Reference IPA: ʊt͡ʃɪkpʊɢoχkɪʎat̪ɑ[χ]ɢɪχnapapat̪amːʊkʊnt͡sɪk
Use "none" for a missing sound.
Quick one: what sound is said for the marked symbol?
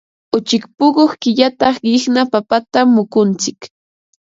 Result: χ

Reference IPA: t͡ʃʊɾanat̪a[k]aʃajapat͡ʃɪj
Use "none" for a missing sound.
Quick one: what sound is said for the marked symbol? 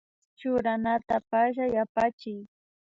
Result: p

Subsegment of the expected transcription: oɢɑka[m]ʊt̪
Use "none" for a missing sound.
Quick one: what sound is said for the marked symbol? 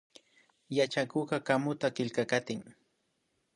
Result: m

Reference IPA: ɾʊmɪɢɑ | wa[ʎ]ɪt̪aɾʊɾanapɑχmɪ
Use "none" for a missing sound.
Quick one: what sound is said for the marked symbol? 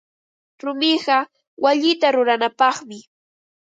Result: ʎ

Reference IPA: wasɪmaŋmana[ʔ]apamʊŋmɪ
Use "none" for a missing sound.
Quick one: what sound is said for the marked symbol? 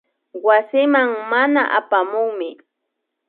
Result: ʔ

